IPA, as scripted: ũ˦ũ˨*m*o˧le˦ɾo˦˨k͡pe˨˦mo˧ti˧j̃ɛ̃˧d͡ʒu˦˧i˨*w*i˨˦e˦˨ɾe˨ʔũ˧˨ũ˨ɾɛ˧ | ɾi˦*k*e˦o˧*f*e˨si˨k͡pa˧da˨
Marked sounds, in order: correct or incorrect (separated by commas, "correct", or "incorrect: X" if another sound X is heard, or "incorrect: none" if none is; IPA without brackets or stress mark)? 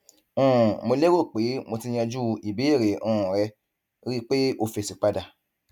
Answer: correct, incorrect: b, incorrect: k͡p, correct